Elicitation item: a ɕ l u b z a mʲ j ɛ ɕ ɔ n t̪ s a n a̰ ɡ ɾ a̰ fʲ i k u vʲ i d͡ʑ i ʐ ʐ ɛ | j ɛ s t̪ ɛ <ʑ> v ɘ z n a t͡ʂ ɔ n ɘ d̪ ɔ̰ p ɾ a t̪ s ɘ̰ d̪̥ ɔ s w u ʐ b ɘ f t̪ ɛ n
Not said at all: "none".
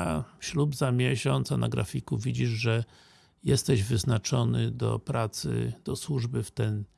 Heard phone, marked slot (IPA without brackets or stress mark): ʑ